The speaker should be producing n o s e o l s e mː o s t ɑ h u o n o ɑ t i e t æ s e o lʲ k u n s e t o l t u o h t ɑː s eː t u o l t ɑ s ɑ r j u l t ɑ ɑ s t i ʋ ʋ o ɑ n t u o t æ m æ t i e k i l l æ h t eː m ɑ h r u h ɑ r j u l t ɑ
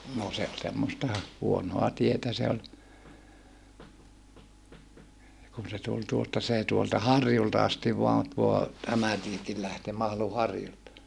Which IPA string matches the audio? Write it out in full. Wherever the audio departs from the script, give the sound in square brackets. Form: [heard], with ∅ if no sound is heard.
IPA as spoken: n o s e o l s e mː o s t ɑ h u o n o ɑ t i e t æ s e o lʲ k u n s e t [u] l t u o [s] t [ɑ] s eː t u o l t ɑ [h] ɑ r j u l t ɑ ɑ s t i ʋ ʋ o ɑ n t u o t æ m æ t i e k i l l æ h t eː m ɑ h [l] u h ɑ r j u l t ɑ